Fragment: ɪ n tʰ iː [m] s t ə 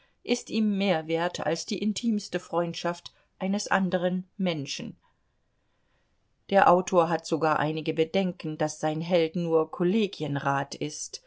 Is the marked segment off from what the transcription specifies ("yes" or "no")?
no